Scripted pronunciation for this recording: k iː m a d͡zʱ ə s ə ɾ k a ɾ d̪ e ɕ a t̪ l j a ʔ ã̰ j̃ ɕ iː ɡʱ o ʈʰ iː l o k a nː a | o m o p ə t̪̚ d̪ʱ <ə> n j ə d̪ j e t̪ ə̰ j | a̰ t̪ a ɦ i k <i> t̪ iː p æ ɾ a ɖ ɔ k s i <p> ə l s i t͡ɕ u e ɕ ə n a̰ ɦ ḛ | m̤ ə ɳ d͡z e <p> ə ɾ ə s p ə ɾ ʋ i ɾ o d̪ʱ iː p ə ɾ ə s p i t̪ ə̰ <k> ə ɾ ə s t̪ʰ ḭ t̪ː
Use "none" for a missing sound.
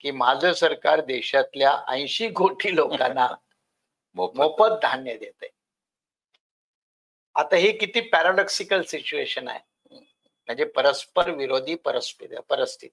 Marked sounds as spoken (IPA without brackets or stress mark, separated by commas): a, i, k, p, p